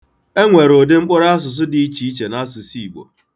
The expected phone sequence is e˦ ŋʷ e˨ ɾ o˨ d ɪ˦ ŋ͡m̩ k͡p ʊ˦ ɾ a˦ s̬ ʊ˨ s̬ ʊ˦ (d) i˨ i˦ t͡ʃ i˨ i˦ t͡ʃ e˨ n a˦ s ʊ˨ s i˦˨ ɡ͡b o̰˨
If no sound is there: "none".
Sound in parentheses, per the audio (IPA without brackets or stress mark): d